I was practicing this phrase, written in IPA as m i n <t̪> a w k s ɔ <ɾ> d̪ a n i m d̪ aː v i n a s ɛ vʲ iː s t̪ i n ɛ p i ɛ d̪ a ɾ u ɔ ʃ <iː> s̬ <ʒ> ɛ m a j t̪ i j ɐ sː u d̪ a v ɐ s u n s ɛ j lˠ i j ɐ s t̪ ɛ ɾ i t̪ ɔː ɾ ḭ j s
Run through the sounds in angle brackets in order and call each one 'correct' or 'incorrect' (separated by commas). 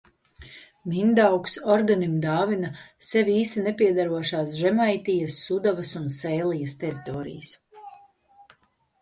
incorrect, correct, incorrect, correct